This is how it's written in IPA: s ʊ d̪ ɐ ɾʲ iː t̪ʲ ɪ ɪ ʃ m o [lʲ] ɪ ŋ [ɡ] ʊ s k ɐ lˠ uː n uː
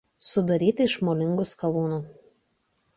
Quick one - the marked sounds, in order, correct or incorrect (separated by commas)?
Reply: correct, correct